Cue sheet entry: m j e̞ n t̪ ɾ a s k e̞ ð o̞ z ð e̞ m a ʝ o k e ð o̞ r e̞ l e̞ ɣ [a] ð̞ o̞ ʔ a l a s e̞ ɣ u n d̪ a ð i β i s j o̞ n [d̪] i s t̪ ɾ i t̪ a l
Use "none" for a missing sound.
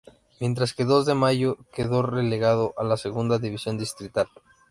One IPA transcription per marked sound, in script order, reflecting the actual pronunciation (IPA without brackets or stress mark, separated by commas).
a, d̪